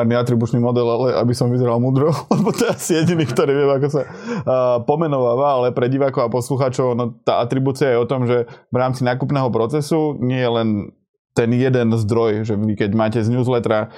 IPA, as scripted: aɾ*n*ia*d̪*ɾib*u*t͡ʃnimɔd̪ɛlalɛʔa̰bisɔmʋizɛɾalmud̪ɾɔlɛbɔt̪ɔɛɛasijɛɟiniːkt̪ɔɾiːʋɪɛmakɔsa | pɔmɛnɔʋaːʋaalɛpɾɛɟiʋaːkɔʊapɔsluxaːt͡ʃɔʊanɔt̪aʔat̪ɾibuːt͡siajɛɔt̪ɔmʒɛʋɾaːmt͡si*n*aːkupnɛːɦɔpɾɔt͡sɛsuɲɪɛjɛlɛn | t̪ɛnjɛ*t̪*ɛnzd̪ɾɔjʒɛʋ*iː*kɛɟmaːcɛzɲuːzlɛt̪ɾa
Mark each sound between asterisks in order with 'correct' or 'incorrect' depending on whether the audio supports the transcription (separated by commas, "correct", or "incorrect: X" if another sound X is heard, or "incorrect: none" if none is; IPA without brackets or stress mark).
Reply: correct, incorrect: t̪, correct, correct, incorrect: d̪, incorrect: i